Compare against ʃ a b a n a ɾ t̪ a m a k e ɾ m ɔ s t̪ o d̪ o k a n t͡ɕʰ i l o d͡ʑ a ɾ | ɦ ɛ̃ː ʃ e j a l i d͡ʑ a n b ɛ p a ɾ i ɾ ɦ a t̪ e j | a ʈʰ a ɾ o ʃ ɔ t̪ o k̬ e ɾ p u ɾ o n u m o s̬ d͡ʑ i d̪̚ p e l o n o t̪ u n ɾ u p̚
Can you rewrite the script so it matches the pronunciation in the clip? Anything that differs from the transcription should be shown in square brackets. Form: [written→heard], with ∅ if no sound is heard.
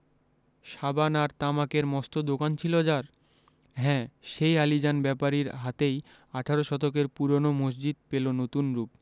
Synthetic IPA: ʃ a b a n a ɾ t̪ a m a k e ɾ m ɔ s t̪ o d̪ o k a n t͡ɕʰ i l o d͡ʑ a ɾ | ɦ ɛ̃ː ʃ e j a l i d͡ʑ a n b ɛ p a ɾ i ɾ ɦ a t̪ e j | a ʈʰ a ɾ o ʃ ɔ t̪ o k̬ e ɾ p u ɾ o n [u→o] m o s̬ d͡ʑ i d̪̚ p e l o n o t̪ u n ɾ u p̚